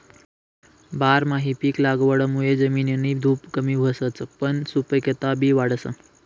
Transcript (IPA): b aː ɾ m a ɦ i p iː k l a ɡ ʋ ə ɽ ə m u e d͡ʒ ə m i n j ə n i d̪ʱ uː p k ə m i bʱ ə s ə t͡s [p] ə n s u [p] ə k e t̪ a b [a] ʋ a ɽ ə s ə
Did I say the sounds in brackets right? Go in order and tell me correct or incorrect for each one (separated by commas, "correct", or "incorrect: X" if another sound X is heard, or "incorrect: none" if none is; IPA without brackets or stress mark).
correct, correct, incorrect: i